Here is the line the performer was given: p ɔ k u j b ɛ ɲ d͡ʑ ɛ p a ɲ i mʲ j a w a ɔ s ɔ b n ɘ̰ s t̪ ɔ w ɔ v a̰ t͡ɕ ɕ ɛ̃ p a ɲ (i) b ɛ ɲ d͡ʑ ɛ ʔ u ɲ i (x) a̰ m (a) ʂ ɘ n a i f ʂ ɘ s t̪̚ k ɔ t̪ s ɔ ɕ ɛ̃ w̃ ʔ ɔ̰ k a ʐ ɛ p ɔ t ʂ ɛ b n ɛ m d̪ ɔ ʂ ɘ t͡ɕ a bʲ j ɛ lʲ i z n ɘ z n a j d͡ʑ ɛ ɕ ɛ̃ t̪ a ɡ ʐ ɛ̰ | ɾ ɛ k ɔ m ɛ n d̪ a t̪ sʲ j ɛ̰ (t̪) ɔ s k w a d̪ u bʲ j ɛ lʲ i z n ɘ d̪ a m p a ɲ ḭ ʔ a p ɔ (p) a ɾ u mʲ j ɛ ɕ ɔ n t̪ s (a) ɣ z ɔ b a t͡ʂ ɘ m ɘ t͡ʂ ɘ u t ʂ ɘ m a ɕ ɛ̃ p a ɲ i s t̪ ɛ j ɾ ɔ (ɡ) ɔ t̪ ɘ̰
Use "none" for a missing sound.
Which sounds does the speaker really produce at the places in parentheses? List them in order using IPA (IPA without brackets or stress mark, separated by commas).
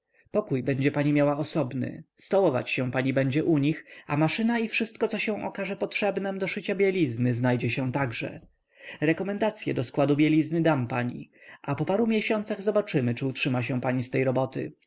i, x, a, d̪, p, a, b